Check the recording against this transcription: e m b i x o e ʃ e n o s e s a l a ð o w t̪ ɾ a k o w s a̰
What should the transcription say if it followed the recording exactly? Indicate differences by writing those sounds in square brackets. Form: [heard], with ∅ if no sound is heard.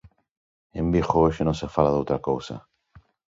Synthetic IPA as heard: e m b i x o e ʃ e n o s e [f] a l a ð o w t̪ ɾ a k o w s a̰